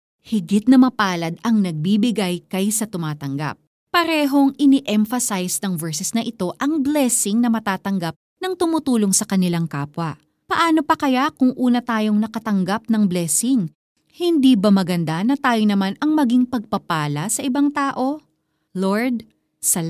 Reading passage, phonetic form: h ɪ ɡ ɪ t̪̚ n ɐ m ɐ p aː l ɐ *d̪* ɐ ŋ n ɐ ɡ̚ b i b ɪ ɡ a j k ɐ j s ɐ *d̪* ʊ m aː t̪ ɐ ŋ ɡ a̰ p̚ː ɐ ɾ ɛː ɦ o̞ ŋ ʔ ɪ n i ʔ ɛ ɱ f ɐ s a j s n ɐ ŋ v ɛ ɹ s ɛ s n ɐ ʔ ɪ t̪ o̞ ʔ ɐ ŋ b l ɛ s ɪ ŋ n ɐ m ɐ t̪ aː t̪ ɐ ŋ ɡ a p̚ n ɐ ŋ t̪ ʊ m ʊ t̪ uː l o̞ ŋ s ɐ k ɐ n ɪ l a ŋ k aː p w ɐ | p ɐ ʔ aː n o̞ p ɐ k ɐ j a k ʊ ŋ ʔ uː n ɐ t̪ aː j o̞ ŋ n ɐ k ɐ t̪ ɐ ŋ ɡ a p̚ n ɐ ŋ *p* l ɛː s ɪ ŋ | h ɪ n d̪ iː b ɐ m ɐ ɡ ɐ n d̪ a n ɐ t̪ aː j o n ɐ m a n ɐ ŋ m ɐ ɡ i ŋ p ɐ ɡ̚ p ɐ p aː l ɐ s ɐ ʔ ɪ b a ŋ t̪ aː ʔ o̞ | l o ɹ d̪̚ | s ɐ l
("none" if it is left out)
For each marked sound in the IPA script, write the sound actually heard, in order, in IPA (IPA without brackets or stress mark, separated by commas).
d̪, t̪, b